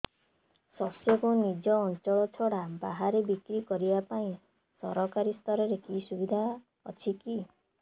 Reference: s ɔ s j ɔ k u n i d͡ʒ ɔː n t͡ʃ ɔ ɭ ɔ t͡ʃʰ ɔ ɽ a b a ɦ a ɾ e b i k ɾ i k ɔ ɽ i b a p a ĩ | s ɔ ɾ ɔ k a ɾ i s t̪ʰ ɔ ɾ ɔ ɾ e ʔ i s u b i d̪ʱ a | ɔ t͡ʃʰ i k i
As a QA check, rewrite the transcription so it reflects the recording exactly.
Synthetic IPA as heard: s ɔ s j ɔ k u n i d͡ʒ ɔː n t͡ʃ ɔ ɭ ɔ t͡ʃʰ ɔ ɽ a b a ɦ a ɾ e b i k ɾ i k ɔ ɾ i b a p a ĩ | s ɔ ɾ ɔ k a ɾ i s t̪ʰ ɔ ɾ ɔ ɾ e k i s u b i d̪ʱ a | ɔ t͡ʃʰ i k i